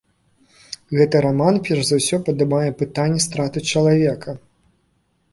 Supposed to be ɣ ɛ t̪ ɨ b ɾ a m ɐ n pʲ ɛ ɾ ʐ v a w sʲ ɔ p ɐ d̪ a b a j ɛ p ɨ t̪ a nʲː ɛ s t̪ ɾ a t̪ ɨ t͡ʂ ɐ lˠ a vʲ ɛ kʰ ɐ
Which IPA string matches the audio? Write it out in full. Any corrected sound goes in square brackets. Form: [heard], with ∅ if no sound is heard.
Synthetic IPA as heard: ɣ ɛ t̪ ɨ [∅] ɾ a m [a] n pʲ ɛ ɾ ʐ [z] a w sʲ ɔ p ɐ d̪ a b a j ɛ p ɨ t̪ a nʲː ɛ s t̪ ɾ a t̪ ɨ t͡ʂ ɐ lˠ a vʲ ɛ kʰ ɐ